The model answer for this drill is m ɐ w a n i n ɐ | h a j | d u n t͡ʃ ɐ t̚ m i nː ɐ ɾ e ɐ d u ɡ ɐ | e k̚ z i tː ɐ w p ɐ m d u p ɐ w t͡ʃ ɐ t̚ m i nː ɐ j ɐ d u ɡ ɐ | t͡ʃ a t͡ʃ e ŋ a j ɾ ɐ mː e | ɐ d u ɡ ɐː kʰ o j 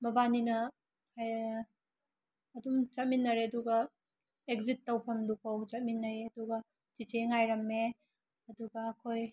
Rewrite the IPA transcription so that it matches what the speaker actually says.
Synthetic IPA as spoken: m ɐ b a n i n ɐ | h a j | d u m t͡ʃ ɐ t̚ m i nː ɐ ɾ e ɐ d u ɡ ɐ | e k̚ z i tː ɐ w pʰ ɐ m d u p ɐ w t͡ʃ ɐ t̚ m i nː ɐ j ɐ d u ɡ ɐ | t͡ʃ i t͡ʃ e ŋ a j ɾ ɐ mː e | ɐ d u ɡ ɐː kʰ o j

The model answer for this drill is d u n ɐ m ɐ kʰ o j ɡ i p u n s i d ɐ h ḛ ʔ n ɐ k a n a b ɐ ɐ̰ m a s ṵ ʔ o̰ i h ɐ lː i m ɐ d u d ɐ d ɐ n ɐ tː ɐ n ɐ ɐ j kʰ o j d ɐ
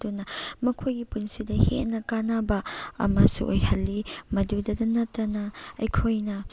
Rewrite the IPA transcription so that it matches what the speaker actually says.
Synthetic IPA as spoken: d u n ɐ m ɐ kʰ o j ɡ i p u n s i d ɐ h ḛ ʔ n ɐ k a n a b ɐ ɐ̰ m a s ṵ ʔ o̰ j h ɐ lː i m ɐ d u d ɐ d ɐ n ɐ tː ɐ n ɐ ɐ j kʰ o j n ɐ

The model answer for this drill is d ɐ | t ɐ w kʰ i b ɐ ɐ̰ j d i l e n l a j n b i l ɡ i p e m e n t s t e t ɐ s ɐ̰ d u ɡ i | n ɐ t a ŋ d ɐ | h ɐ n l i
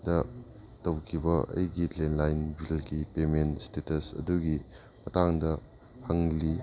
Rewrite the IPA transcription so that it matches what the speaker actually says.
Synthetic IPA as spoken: d ɐ | t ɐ w kʰ i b ɐ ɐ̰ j ɡ i l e n l a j n b i l ɡ i p e m e n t s t e t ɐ s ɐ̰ d u ɡ i | m ɐ t a ŋ d ɐ | h ɐ ŋ l i

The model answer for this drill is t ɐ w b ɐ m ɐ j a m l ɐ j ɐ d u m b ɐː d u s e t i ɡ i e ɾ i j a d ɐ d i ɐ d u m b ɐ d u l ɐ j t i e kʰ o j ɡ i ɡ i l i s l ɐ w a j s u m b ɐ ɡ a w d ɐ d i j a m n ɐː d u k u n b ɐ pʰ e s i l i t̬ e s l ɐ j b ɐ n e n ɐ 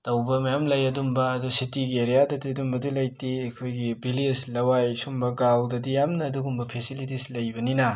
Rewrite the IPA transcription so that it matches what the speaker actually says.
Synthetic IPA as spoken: t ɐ w b ɐ m ɐ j a m l ɐ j ɐ d u m b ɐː d u s i t i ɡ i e ɾ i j a d ɐ d i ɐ d u m b ɐ d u l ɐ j t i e kʰ o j ɡ i b i l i s l ɐ w a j s u m b ɐ ɡ a w d ɐ d i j a m n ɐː d u ɡ u m b ɐ pʰ e s i l i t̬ i s l ɐ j b ɐ n i n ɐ

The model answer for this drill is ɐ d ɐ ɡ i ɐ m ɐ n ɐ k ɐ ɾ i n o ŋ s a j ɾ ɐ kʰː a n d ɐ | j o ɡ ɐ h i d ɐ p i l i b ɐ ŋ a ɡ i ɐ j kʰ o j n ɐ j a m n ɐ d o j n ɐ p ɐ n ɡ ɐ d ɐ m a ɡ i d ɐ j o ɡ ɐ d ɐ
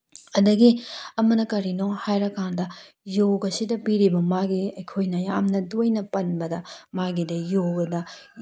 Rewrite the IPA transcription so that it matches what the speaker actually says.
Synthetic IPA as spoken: ɐ d ɐ ɡ i ɐ m ɐ n ɐ k ɐ ɾ i n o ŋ h a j ɾ ɐ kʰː a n d ɐ | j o ɡ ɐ s i d ɐ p i ɾ i b ɐ m a ɡ i ɐ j kʰ o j n ɐ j a m n ɐ d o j n ɐ p ɐ n b ɐ d ɐ m a ɡ i d ɐ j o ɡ ɐ d ɐ

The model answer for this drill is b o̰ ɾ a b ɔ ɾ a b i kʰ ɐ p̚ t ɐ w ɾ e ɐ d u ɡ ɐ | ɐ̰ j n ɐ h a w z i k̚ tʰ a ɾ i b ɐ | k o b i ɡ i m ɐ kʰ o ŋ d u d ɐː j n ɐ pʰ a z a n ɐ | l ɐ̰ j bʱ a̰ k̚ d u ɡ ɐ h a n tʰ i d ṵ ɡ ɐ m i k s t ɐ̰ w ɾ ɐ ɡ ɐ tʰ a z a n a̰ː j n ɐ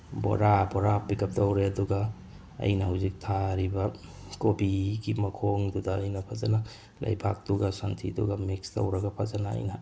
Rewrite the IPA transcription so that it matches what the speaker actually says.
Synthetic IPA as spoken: b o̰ ɾ a b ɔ ɾ a b i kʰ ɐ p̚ t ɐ w ɾ e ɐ d u ɡ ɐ | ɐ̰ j n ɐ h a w z i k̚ tʰ a ɾ i b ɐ | k o b i ɡ i m ɐ kʰ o ŋ d u d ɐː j n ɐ pʰ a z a n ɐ | l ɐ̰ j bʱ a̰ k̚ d u ɡ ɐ s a n tʰ i d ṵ ɡ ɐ m i k s t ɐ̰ w ɾ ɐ ɡ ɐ pʰ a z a n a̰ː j n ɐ

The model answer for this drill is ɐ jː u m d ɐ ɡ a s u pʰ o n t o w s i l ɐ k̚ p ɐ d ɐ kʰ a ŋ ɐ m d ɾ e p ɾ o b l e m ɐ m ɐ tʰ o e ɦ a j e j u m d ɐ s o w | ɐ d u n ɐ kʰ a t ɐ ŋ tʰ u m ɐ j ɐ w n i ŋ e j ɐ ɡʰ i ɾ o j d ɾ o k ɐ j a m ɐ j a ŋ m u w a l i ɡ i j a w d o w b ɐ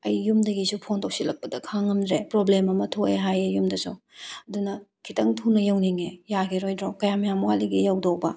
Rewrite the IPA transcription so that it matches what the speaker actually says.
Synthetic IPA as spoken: ɐ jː u m d ɐ ɡ i s u pʰ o n t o w s i l ɐ k̚ p ɐ d ɐ kʰ a ŋ ɐ m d ɾ e p ɾ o b l e m ɐ m ɐ tʰ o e ɦ a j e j u m d ɐ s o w | ɐ d u n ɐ kʰ i t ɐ ŋ tʰ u n ɐ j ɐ w n i ŋ e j a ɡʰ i ɾ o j d ɾ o k ɐ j a m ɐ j a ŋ m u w a l i ɡ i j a w d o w b ɐ

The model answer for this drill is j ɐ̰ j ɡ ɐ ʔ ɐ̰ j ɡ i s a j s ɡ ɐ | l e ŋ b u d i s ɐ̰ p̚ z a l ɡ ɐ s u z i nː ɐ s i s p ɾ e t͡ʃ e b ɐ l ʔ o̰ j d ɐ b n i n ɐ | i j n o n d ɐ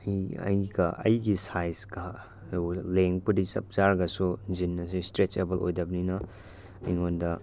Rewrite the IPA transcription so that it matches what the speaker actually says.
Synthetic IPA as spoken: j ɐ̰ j ɡ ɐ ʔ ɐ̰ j ɡ i s a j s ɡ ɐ | l e ŋ p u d i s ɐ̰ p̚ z a ɾ ɡ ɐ s u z i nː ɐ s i s t ɾ e t͡ʃ e b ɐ l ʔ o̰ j d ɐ b n i n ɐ | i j ŋ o n d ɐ

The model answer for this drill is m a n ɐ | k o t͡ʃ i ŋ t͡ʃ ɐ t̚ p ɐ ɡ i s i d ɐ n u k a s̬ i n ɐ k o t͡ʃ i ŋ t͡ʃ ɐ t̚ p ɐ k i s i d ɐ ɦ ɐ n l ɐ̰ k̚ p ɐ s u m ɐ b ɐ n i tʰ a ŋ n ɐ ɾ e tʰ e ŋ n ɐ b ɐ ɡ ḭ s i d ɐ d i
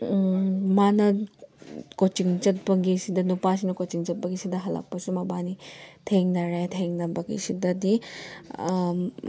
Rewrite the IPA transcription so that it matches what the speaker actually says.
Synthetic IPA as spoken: m a n ɐ | k o t͡ʃ i ŋ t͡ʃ ɐ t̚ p ɐ ɡ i s i d ɐ n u p a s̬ i n ɐ k o t͡ʃ i ŋ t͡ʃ ɐ t̚ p ɐ ɡ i s i d ɐ ɦ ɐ l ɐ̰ k̚ p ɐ s u m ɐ b a n i tʰ e ŋ n ɐ ɾ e tʰ e ŋ n ɐ b ɐ ɡ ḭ s i d ɐ d i

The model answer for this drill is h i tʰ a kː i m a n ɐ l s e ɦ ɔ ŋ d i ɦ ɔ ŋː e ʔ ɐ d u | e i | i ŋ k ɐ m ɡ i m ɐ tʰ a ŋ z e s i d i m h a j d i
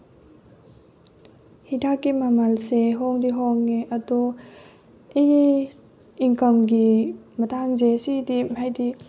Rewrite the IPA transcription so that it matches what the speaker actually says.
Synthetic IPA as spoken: h i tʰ a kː i m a m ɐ l s e ɦ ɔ ŋ d i ɦ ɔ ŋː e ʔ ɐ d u | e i | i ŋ k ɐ m ɡ i m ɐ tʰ a ŋ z e s i d i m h a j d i

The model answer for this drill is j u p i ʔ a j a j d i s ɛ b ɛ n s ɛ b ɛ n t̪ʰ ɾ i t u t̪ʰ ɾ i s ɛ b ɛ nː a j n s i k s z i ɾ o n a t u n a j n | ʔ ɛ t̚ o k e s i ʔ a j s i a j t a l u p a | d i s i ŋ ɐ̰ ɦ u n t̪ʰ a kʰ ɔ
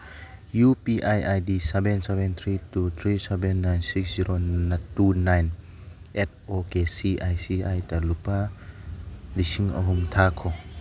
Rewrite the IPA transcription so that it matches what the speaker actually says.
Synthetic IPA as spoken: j u p i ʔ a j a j d i s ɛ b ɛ n s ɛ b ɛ n t̪ʰ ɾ i t u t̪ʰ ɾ i s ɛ b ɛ nː a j n s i k s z i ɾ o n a t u n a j n | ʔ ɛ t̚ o k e s i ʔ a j s i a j t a l u p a | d i s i ŋ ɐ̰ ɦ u m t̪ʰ a kʰ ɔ

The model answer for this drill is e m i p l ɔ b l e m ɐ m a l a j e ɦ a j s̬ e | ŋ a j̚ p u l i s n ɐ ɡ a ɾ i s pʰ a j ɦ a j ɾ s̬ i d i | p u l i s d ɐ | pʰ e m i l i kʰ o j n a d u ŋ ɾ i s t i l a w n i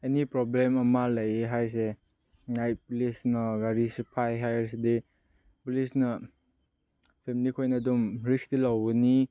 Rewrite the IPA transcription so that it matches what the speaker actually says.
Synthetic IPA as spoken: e n i p ɾ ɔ b l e m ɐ m a l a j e ɦ a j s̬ e | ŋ a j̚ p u l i s n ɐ ɡ a ɾ i s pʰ a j ɦ a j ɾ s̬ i d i | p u l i s n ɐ | pʰ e m i l i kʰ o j n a d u m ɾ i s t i l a w n i

